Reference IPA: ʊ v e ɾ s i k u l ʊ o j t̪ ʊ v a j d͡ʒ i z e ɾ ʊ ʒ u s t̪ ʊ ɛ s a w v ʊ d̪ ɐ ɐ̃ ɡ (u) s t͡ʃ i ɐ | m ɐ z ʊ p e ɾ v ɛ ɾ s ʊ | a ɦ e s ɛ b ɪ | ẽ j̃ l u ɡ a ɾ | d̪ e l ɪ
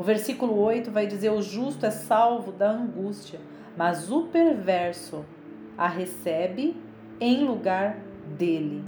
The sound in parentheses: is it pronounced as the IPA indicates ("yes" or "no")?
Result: yes